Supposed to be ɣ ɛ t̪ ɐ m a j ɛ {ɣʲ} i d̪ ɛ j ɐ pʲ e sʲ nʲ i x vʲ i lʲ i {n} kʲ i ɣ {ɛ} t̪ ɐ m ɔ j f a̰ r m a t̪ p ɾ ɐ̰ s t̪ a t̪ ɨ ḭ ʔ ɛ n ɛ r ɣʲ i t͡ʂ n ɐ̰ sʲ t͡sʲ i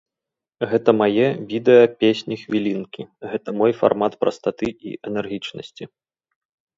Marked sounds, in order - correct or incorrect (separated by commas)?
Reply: incorrect, correct, correct